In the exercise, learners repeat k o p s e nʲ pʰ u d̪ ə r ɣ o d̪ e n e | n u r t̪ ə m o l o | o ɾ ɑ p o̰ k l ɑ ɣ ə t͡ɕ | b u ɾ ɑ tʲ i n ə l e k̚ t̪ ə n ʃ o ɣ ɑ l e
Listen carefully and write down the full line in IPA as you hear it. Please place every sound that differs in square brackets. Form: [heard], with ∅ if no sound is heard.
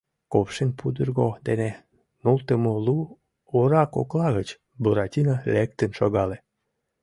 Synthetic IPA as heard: k o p [ʃ] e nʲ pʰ u d̪ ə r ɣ o d̪ e n e | n u [l] t̪ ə m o l [u] | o ɾ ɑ [k] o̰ k l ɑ ɣ ə t͡ɕ | b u ɾ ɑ tʲ i n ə l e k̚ t̪ ə n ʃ o ɣ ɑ l e